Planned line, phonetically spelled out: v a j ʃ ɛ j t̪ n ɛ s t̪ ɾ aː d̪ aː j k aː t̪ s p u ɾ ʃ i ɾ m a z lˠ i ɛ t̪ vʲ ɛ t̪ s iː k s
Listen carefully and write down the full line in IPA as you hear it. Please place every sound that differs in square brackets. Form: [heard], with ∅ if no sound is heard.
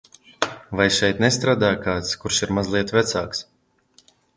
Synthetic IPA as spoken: v a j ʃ ɛ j t̪ n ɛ s t̪ ɾ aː d̪ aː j k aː t̪ s [k] u ɾ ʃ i ɾ m a z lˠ i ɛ t̪ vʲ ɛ t̪ s [aː] k s